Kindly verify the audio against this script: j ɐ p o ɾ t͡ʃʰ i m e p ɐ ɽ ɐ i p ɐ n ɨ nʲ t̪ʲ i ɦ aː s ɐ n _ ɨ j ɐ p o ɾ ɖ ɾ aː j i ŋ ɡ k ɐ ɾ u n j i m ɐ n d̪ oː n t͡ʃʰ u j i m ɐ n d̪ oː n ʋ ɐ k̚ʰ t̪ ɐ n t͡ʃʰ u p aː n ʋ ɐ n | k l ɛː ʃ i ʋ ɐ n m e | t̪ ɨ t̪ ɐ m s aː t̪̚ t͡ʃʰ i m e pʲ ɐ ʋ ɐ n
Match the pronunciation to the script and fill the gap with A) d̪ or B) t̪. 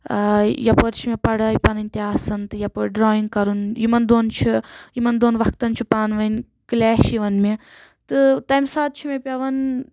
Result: B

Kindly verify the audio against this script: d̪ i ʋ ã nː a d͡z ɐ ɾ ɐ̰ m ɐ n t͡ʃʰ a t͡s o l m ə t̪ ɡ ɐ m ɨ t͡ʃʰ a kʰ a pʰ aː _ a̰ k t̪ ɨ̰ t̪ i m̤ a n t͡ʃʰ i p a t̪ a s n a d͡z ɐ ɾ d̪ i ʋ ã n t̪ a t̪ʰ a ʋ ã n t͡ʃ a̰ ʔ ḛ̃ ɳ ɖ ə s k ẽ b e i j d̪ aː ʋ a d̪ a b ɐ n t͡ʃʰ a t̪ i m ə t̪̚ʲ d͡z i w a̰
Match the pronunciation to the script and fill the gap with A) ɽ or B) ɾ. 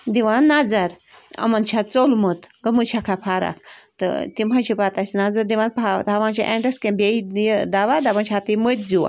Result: B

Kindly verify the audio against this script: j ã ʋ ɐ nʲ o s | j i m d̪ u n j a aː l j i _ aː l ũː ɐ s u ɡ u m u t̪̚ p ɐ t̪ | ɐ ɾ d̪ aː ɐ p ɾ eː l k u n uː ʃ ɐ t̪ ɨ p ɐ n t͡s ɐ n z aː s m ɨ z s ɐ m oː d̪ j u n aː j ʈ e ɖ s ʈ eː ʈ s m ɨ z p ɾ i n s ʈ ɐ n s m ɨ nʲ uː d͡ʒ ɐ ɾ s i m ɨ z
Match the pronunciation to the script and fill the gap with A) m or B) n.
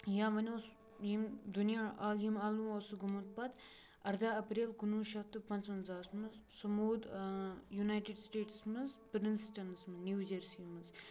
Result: A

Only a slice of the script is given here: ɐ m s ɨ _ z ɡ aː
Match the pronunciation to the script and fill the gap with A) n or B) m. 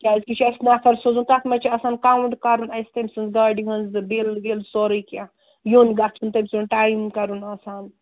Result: A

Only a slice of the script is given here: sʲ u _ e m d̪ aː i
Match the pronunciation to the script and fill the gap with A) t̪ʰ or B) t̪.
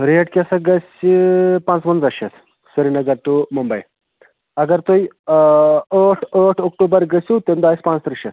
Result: B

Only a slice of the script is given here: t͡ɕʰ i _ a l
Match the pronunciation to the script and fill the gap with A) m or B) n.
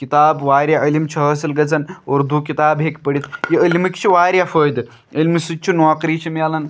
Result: A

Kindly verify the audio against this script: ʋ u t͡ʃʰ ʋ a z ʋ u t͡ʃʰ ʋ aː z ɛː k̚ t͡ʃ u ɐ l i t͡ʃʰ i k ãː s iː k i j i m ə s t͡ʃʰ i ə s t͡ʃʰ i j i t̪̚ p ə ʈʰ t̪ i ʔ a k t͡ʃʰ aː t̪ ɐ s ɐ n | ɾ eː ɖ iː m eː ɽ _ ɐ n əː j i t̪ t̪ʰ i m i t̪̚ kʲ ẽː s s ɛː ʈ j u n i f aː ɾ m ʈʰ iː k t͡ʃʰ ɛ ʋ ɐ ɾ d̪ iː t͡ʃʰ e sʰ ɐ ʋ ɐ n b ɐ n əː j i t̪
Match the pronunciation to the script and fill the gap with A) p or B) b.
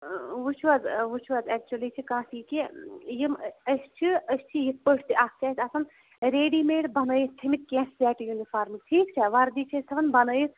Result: B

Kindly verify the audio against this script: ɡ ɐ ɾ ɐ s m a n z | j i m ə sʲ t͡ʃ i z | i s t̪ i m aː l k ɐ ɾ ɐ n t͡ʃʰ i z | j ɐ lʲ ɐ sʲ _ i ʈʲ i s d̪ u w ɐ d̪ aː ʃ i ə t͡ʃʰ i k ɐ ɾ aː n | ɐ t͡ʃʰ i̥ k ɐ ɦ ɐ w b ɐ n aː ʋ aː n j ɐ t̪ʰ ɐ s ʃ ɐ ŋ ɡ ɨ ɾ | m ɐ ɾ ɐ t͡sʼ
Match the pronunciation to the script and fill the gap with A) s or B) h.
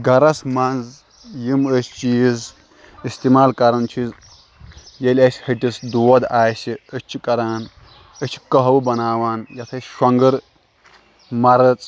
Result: B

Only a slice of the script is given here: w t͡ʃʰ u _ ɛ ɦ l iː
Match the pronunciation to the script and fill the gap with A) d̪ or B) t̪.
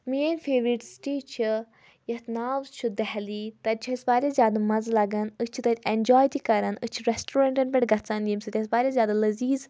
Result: A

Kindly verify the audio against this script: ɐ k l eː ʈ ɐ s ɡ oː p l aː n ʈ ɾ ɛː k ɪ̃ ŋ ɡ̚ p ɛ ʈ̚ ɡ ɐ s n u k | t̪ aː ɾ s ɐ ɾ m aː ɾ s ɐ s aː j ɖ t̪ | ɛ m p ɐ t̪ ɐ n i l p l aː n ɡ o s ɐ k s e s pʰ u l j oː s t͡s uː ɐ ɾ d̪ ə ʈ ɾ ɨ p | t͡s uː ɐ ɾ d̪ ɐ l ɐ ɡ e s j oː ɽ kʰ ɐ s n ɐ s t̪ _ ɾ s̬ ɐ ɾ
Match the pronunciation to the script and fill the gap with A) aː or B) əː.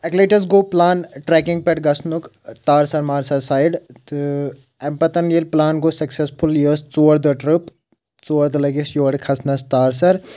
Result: A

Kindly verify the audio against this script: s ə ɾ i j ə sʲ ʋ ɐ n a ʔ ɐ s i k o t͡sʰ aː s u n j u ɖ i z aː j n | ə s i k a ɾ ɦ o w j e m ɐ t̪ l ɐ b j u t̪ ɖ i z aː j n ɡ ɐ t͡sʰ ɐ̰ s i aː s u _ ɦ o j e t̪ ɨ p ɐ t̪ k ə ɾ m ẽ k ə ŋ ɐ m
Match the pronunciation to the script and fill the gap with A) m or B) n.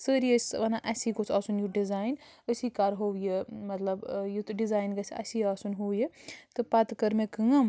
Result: B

